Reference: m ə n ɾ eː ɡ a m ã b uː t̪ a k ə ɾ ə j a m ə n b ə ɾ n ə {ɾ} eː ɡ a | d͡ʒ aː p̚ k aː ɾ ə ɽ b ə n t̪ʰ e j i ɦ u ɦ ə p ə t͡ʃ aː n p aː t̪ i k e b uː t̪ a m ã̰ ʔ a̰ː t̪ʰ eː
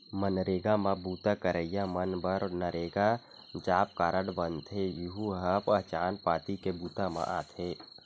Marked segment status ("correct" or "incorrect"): correct